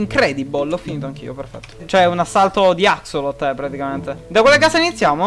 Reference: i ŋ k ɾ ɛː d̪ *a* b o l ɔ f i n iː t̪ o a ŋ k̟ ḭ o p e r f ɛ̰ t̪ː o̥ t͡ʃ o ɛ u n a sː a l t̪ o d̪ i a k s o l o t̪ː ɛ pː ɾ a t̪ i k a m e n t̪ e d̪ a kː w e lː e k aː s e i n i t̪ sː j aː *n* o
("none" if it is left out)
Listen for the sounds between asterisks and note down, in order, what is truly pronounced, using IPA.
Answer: i, m

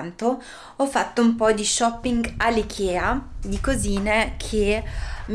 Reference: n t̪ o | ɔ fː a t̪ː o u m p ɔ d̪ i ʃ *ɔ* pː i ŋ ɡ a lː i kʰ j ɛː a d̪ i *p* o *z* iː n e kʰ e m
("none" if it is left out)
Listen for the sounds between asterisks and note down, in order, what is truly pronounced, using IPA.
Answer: ɔ, k, z

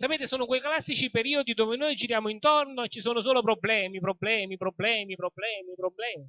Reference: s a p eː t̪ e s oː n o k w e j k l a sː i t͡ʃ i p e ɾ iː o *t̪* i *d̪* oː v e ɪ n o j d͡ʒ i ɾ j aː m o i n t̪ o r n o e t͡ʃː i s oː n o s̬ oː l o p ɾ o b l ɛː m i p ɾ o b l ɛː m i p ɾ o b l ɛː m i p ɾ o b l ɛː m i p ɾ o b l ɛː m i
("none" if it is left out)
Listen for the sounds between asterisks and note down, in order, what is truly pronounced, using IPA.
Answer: d̪, d̪

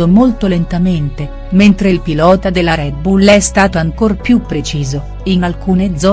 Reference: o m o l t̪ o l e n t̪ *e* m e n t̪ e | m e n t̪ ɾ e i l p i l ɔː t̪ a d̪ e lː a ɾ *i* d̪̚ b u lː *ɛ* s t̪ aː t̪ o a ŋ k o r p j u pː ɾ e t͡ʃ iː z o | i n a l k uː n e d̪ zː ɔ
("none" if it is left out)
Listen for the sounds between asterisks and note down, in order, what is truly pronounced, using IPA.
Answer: a, ɛ, ɛ

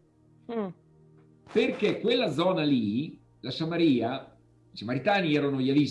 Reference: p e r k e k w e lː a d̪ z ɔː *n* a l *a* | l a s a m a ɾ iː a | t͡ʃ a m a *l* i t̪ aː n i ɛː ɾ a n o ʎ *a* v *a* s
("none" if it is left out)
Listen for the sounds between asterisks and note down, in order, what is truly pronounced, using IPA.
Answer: n, i, ɾ, a, i

